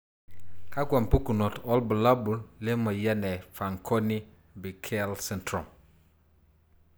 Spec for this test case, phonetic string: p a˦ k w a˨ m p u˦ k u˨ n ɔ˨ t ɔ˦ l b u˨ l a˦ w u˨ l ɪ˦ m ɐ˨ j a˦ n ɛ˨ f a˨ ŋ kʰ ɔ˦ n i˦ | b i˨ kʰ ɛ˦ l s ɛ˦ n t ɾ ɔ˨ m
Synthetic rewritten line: k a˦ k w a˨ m p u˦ k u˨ n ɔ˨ t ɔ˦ l b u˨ l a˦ b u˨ l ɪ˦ m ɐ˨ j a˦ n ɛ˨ f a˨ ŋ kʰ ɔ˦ n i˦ | b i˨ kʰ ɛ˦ l s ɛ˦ n t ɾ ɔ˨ m